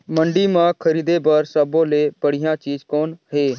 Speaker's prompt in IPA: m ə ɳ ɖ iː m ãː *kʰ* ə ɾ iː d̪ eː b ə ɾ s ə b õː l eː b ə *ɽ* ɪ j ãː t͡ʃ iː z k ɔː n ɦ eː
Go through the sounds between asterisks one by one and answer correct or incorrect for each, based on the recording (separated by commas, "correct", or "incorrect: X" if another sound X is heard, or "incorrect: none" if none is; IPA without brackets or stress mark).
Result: correct, correct